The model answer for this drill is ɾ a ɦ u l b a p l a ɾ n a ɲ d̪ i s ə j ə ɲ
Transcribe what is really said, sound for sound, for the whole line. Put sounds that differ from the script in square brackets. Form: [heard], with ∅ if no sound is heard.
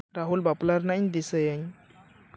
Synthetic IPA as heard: ɾ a ɦ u l b a p l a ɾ n a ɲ d̪ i s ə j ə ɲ